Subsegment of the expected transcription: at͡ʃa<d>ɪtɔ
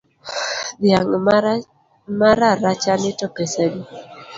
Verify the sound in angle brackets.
incorrect: n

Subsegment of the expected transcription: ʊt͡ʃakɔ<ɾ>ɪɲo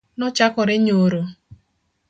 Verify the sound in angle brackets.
correct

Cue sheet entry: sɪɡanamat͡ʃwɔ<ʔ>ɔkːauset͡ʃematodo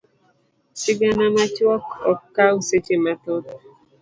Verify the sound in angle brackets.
incorrect: k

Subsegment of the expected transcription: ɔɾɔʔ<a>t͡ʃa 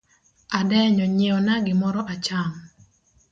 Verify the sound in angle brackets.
correct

